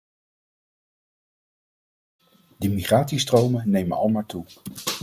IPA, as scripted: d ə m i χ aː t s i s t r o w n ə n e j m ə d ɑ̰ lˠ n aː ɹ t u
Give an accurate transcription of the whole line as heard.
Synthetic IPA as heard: d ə m i χ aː t s i s t r o w m ə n e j m ə n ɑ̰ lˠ m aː ɹ t u